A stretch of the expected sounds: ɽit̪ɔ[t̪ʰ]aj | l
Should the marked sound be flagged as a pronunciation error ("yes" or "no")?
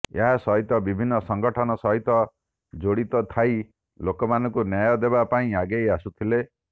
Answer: no